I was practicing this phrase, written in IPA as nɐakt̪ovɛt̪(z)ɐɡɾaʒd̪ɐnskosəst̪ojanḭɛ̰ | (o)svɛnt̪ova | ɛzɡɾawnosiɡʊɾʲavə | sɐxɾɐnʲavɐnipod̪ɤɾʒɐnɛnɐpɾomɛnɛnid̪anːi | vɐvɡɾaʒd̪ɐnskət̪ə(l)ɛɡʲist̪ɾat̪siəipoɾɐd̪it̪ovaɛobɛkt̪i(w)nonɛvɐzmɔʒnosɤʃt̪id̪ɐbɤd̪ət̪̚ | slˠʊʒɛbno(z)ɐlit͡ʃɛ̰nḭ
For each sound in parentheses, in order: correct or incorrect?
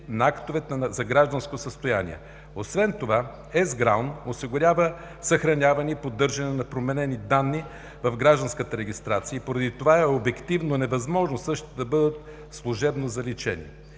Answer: correct, correct, incorrect, incorrect, correct

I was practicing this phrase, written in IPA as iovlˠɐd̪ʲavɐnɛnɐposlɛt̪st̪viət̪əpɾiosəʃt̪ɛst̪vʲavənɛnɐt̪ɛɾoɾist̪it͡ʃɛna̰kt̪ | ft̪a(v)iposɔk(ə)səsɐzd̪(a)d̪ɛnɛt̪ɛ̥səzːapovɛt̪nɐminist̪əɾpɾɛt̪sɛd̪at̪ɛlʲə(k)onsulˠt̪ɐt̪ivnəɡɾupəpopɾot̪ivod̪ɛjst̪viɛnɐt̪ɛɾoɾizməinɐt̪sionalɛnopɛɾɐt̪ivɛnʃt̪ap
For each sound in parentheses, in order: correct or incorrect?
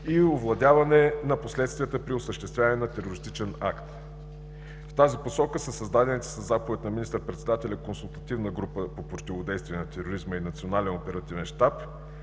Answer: incorrect, correct, correct, correct

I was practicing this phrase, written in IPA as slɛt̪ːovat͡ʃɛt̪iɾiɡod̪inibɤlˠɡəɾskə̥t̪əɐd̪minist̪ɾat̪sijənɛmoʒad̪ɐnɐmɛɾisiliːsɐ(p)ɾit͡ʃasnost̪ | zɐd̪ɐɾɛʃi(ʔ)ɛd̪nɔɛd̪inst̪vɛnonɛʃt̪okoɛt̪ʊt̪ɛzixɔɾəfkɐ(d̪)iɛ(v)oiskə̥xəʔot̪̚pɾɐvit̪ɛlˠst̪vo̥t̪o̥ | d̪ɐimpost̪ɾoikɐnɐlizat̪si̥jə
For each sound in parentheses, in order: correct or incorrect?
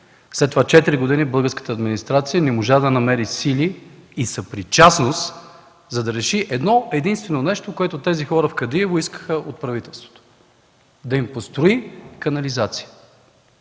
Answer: correct, correct, correct, correct

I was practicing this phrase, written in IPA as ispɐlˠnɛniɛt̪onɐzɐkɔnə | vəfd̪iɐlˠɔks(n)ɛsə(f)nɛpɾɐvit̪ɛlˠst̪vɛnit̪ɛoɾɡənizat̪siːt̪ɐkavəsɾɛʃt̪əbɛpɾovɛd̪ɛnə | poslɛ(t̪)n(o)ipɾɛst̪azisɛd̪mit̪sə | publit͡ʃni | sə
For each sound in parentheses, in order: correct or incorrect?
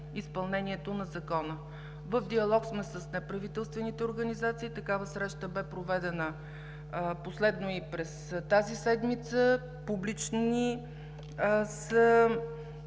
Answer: incorrect, incorrect, incorrect, correct

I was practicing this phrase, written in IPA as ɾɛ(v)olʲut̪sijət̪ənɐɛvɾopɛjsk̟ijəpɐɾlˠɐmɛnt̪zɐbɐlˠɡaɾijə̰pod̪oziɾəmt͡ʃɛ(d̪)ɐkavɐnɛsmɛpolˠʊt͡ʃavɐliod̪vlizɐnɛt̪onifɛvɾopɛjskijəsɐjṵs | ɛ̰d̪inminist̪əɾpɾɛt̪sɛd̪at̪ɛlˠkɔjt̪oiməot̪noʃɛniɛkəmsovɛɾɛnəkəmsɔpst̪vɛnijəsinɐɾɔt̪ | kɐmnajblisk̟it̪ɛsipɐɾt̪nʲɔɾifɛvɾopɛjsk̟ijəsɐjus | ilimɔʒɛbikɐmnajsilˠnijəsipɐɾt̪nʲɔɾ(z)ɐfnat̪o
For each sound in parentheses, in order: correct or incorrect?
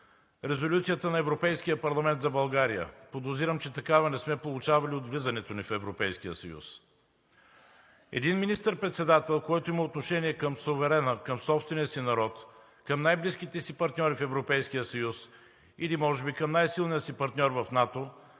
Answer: incorrect, incorrect, incorrect

